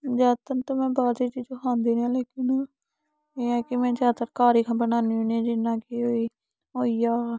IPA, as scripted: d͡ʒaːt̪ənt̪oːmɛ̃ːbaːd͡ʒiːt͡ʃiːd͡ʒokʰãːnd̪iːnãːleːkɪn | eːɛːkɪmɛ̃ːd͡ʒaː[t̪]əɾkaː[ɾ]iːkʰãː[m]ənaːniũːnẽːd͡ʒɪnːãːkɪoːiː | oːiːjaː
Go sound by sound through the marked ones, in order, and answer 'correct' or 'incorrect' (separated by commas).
correct, correct, incorrect